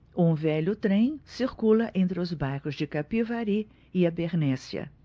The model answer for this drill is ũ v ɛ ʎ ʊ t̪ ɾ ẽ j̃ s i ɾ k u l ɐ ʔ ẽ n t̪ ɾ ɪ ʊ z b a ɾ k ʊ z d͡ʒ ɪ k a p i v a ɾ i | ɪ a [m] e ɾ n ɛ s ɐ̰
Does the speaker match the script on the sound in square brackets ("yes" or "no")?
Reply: no